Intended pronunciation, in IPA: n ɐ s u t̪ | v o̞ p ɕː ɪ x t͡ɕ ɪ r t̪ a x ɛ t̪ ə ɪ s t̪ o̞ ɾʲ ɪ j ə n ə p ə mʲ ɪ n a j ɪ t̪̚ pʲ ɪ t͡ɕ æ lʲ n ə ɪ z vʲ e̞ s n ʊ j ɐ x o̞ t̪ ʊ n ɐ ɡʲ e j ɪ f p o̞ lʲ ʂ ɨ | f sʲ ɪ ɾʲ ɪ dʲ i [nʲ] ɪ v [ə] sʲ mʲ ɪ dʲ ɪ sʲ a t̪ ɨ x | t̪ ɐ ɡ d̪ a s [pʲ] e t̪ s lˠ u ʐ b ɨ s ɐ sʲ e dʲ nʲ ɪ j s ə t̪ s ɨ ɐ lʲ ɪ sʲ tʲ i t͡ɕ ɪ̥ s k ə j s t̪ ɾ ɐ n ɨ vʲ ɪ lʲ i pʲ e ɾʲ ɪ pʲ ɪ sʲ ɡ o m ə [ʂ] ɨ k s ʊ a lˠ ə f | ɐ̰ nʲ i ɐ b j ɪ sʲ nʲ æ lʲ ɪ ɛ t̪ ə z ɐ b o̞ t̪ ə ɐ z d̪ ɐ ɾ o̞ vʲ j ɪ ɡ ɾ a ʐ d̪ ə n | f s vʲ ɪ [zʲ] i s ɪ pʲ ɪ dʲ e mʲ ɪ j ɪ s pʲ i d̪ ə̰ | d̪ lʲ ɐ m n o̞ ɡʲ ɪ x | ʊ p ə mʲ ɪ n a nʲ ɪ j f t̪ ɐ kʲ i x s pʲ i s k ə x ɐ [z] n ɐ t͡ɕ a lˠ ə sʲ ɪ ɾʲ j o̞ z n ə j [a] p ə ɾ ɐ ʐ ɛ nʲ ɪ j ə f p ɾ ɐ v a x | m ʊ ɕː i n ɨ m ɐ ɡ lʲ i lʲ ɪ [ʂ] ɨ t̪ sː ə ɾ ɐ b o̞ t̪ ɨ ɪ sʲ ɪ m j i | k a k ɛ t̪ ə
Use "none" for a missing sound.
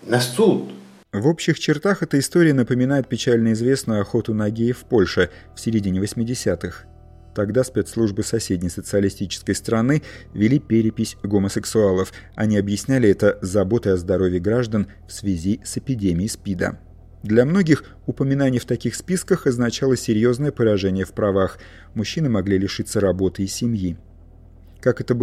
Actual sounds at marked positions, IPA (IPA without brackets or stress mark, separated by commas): nʲ, ə, pʲ, s, zʲ, z, ə, ʂ